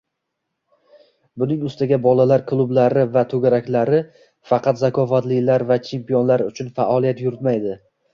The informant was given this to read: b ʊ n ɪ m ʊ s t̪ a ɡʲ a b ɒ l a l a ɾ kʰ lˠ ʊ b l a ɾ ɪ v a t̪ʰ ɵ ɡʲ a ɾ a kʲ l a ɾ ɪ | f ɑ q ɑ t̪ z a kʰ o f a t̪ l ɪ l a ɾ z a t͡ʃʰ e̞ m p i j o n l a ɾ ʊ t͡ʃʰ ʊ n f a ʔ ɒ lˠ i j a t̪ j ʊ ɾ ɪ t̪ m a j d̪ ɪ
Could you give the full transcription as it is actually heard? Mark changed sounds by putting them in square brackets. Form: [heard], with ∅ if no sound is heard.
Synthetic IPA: b ʊ n ɪ [ŋ] ʊ s t̪ a ɡʲ a b ɒ l a l a ɾ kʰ lˠ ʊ b l a ɾ ɪ v a t̪ʰ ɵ ɡʲ a ɾ a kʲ l a ɾ ɪ | f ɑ q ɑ t̪ z a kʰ [ɒ] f a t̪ l ɪ l a ɾ [v] a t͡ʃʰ e̞ m p i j o n l a ɾ ʊ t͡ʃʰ ʊ n f a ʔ ɒ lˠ i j a t̪ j ʊ ɾ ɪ t̪ m a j d̪ ɪ